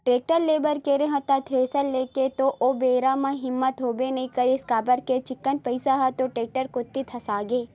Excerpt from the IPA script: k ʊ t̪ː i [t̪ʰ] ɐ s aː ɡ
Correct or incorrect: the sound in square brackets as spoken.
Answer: correct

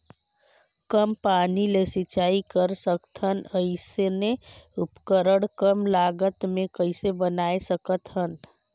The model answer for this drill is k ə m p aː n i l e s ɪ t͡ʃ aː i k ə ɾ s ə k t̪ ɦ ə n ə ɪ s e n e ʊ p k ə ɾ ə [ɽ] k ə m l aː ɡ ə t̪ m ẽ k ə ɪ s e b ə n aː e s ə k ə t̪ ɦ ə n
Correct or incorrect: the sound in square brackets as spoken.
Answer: correct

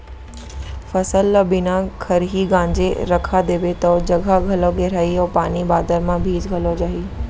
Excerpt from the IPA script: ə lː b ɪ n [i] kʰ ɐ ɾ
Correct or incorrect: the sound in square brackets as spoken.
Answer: incorrect: a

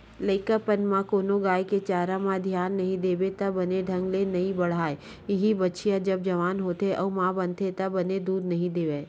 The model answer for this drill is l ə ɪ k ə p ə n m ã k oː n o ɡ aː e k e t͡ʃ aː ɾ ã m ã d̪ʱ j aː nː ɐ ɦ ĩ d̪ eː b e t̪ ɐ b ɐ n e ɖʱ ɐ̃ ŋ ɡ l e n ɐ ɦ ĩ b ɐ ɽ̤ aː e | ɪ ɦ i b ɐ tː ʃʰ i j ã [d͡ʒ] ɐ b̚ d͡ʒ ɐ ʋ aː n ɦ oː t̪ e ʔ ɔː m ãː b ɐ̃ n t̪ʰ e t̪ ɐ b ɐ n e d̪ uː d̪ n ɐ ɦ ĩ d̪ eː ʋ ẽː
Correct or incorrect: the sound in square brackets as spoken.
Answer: correct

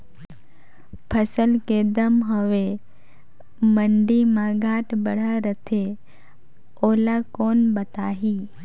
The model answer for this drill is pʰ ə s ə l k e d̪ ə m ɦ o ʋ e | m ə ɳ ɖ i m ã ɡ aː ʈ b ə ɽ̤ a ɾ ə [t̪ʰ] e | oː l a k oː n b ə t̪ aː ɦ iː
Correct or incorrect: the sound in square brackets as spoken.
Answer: correct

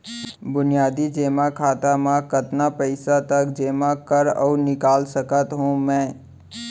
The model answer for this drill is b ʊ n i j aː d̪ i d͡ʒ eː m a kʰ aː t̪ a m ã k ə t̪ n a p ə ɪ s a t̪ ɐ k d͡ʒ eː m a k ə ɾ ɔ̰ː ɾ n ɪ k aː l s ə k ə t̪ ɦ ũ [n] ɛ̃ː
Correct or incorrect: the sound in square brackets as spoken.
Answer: incorrect: m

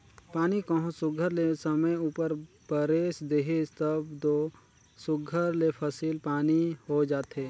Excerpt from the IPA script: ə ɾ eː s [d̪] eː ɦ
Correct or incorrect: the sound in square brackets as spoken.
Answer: correct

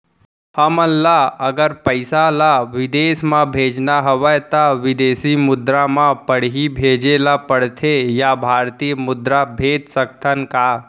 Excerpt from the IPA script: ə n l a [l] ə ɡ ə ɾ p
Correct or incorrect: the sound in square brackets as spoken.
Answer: incorrect: none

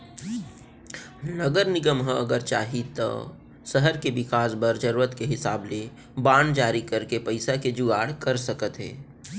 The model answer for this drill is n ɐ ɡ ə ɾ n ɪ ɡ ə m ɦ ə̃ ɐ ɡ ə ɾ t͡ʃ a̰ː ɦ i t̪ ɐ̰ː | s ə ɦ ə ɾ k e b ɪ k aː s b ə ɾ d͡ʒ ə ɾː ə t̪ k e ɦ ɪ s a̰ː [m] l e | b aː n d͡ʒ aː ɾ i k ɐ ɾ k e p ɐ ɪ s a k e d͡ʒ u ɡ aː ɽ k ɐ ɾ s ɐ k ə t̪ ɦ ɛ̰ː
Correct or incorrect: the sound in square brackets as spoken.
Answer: incorrect: b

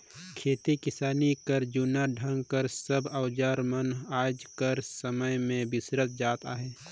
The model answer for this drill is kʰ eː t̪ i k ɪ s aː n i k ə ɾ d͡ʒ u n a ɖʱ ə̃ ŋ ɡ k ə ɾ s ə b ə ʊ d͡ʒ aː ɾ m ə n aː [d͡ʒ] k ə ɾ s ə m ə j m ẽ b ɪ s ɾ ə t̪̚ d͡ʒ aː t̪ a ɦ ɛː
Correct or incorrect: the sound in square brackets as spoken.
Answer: correct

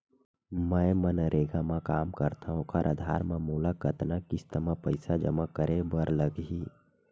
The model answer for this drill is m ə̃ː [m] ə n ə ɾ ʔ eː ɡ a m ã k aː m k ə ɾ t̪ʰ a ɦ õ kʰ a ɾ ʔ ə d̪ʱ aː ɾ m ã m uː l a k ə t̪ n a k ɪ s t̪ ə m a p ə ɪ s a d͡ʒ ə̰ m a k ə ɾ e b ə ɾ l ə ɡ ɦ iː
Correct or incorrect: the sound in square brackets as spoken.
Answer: correct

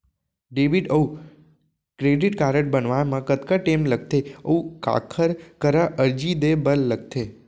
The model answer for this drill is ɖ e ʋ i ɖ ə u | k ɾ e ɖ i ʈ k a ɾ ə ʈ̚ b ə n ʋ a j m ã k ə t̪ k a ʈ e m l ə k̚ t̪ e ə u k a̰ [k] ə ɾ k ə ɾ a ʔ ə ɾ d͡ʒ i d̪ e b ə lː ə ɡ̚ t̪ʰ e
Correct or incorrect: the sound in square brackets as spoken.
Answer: incorrect: kʰ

